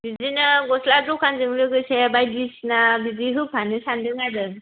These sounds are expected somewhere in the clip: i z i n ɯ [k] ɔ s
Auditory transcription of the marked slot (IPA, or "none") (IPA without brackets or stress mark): ɡ